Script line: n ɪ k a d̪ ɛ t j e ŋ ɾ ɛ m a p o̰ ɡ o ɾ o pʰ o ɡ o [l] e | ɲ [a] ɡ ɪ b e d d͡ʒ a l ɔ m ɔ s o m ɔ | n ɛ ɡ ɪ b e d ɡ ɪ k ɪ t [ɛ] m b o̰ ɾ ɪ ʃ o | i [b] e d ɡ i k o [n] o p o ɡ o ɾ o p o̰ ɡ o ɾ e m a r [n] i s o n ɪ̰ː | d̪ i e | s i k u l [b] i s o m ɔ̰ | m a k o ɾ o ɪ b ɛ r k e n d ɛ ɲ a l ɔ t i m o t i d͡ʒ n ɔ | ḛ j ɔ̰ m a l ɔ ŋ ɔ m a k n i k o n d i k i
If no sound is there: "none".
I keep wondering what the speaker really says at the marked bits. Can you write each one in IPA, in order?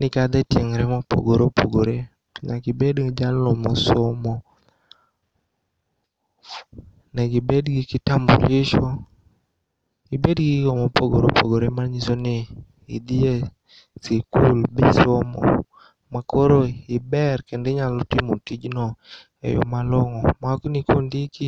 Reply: ɾ, a, a, b, m, ɲ, b

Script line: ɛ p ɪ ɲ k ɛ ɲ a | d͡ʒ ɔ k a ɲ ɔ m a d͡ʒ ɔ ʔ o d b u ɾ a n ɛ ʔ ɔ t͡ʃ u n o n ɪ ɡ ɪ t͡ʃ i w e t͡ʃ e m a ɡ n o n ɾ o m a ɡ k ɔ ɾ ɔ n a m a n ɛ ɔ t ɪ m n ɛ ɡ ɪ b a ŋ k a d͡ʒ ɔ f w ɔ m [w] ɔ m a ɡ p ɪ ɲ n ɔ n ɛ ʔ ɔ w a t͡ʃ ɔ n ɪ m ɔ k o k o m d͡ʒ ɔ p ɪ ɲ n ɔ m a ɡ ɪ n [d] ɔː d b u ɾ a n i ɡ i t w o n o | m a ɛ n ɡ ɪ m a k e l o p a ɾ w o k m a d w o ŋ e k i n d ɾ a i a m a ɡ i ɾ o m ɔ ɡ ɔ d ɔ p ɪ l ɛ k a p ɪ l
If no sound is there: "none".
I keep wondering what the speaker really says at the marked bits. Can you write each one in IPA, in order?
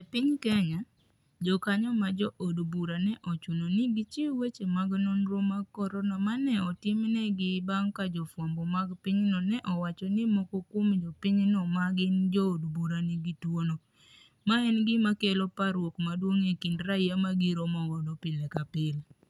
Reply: b, d͡ʒ

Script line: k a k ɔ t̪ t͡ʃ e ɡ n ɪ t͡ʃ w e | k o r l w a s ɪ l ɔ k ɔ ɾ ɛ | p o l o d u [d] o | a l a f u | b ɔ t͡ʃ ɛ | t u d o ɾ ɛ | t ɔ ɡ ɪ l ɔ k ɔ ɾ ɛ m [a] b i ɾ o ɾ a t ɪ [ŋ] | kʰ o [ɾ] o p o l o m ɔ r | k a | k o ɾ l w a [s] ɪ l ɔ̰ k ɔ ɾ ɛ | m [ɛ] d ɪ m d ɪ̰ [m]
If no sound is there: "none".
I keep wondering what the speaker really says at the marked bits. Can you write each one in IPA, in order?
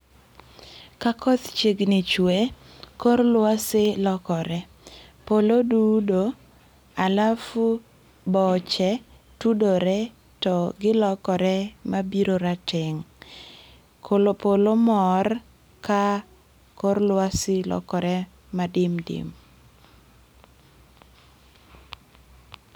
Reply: d, a, ŋ, l, s, a, m

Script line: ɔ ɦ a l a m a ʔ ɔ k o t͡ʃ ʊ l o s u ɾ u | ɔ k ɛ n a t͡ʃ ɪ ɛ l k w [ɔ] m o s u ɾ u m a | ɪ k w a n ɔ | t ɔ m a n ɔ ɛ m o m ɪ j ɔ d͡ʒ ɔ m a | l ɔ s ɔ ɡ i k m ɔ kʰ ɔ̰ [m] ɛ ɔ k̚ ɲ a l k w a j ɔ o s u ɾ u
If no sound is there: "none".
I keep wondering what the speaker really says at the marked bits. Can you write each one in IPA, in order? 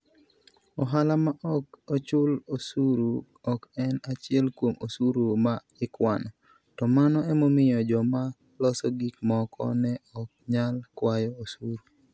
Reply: o, n

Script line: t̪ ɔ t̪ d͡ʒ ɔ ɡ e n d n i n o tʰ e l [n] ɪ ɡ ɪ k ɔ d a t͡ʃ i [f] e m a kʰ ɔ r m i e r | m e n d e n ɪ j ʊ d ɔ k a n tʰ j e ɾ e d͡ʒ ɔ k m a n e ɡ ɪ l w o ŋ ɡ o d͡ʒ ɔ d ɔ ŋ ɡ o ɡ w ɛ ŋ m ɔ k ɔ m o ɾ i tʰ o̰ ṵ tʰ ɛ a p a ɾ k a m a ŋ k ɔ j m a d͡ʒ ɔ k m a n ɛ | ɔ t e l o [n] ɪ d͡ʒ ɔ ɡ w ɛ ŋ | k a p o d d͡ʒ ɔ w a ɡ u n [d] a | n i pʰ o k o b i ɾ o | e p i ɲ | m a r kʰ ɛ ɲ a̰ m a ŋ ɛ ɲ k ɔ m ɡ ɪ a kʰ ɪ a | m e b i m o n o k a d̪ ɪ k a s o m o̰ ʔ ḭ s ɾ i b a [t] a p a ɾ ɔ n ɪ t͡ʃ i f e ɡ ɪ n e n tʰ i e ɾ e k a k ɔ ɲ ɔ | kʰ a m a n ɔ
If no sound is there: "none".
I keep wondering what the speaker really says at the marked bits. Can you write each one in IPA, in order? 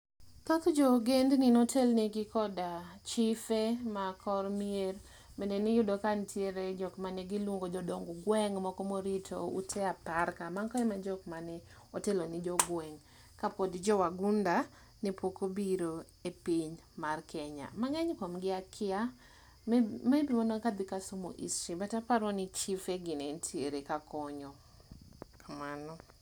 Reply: n, f, n, d, t

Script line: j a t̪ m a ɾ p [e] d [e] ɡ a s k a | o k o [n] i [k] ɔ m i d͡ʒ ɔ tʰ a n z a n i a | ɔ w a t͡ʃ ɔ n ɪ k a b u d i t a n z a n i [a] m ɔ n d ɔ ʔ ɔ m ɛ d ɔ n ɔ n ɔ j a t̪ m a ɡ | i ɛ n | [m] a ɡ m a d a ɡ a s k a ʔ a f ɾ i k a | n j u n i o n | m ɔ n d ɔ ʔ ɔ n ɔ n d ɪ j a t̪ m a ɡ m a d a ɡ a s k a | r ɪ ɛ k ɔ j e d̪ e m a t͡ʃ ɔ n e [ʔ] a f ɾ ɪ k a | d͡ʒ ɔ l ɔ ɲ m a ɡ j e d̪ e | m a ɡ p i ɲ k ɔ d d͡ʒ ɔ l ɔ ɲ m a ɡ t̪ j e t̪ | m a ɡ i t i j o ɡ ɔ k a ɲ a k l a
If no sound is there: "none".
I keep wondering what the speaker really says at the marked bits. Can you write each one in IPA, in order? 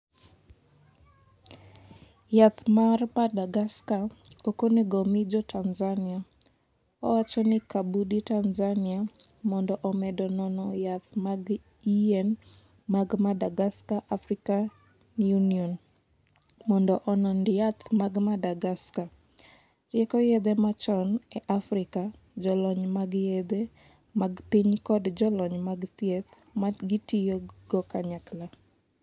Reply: a, a, n, ɡ, a, m, ʔ

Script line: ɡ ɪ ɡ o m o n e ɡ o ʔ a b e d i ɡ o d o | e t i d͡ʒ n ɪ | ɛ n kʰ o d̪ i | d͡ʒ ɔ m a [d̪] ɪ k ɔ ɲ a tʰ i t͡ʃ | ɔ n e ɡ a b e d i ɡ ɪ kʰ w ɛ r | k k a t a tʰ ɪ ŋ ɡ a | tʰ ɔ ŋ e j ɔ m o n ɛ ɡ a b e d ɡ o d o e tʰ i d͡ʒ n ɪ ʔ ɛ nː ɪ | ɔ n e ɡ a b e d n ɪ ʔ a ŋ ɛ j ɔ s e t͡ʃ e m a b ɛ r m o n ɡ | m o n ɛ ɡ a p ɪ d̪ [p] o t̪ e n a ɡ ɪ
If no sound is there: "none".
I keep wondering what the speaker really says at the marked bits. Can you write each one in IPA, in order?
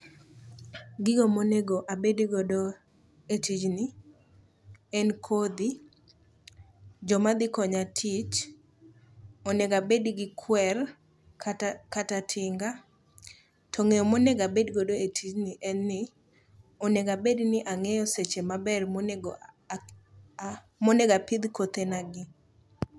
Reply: d̪, k

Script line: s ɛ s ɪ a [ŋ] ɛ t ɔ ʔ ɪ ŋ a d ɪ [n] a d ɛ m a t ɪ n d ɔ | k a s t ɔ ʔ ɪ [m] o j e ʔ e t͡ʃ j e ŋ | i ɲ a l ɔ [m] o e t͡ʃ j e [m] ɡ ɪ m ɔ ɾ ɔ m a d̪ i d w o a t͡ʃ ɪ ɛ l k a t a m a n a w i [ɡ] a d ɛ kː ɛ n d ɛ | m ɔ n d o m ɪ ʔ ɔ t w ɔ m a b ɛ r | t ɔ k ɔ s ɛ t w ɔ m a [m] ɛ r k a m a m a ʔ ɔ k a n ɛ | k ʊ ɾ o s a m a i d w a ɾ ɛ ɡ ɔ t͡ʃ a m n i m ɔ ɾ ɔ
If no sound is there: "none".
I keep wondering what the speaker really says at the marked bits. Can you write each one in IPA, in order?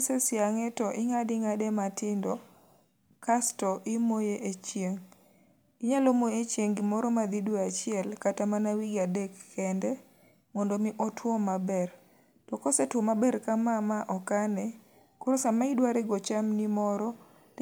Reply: ŋ, ŋ, m, m, ŋ, ɡ, b

